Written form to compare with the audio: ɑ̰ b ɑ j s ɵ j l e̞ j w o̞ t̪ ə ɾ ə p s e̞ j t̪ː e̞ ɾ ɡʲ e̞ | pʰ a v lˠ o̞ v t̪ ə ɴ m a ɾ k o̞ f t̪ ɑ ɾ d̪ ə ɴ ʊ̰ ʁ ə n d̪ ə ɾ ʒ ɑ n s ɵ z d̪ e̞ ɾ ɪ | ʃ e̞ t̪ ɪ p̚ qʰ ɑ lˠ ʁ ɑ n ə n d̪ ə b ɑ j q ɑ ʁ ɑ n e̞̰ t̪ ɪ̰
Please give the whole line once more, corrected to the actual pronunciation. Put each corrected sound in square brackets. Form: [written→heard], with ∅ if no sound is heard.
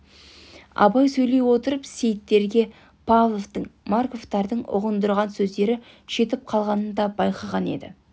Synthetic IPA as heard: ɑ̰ b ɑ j s ɵ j l e̞ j w o̞ t̪ ə ɾ ə p s e̞ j t̪ː e̞ ɾ ɡʲ e̞ | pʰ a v lˠ o̞ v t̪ ə ɴ m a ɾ k o̞ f t̪ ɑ ɾ d̪ ə ɴ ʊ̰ ʁ ə n d̪ ə ɾ [ʒ→ʁ] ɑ n s ɵ z d̪ e̞ ɾ ɪ | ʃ e̞ t̪ ɪ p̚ qʰ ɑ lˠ ʁ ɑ n ə n d̪ [ə→ɑ] b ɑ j q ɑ ʁ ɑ n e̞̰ [t̪→d̪] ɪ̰